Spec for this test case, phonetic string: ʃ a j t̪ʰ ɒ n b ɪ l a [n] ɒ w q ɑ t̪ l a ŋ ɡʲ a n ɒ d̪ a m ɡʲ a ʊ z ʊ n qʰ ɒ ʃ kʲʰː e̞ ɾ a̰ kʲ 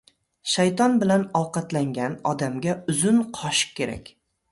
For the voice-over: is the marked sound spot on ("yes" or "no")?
yes